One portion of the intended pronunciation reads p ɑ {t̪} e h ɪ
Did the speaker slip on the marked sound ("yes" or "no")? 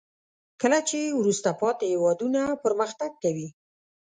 no